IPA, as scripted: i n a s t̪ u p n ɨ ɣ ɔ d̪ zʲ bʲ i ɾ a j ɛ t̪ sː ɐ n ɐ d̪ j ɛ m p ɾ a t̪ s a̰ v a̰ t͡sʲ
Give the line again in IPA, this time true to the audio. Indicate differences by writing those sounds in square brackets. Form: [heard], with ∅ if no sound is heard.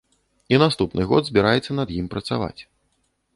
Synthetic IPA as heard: i n a s t̪ u p n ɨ ɣ ɔ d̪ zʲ bʲ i ɾ a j ɛ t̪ sː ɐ n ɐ d̪ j [i] m p ɾ [ɐ] t̪ s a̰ v a̰ t͡sʲ